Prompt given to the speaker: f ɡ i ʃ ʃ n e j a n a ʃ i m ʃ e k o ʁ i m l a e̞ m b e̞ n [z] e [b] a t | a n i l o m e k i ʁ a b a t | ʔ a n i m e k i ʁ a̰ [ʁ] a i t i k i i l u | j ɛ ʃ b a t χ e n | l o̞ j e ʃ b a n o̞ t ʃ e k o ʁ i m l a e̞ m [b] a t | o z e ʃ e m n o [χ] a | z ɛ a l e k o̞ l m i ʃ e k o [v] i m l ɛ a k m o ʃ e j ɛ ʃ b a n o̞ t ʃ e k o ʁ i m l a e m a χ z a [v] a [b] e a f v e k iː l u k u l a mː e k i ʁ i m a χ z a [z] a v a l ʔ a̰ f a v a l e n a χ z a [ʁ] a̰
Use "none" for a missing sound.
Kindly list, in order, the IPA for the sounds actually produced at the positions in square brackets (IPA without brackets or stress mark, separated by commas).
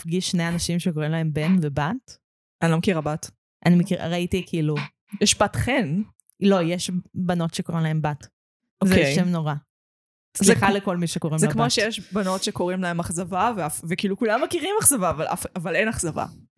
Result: v, b, ʁ, b, ʁ, ʁ, v, v, v, v